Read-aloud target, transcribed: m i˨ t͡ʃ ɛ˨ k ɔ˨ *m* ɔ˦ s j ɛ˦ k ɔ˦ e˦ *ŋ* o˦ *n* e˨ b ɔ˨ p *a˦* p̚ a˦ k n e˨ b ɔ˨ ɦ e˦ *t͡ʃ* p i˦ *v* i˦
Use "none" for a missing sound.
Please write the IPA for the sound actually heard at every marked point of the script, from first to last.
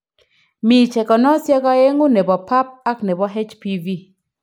n, ŋ, n, a˦, t͡ʃ, v

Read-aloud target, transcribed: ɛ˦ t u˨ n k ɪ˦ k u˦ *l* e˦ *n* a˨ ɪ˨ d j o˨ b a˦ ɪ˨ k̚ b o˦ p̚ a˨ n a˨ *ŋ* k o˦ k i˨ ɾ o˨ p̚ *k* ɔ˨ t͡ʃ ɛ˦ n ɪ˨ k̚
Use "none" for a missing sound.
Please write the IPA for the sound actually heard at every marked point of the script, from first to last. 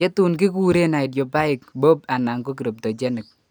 ɾ, n, ŋ, t

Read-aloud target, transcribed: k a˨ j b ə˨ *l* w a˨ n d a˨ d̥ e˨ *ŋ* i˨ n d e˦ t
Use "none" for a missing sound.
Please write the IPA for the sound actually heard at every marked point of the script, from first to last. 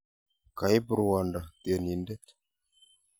ɾ, n

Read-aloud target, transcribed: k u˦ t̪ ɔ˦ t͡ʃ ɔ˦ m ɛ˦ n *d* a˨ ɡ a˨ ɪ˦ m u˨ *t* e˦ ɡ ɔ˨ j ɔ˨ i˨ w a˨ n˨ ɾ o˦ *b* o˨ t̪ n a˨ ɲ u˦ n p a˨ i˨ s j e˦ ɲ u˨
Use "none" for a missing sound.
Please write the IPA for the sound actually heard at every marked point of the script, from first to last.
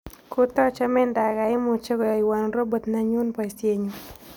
d, t͡ʃ, b

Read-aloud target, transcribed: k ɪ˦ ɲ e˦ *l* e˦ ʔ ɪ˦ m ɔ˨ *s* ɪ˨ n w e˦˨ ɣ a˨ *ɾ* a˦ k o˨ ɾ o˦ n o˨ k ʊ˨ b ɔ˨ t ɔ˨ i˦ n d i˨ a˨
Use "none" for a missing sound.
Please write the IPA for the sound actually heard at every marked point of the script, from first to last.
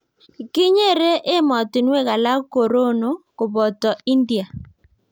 ɾ, t, l

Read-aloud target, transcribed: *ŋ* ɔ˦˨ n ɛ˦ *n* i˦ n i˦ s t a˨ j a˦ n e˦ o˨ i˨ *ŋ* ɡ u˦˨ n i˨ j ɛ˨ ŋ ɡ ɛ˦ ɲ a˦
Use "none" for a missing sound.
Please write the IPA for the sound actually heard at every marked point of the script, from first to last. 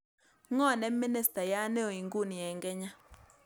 ŋ, m, ŋ

